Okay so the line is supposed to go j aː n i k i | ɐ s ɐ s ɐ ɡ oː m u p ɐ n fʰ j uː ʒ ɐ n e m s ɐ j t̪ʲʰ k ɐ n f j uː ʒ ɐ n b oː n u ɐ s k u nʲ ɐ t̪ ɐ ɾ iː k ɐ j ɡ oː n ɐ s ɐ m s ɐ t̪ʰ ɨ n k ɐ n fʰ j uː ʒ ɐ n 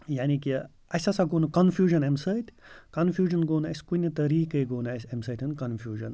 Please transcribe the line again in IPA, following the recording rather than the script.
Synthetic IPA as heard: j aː n i k i | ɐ s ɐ s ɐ ɡ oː n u k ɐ n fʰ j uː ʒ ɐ n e m s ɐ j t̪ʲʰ k ɐ n f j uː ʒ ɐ n ɡ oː n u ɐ s k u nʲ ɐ t̪ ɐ ɾ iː k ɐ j ɡ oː n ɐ s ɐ m s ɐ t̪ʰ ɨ n k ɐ n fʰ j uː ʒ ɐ n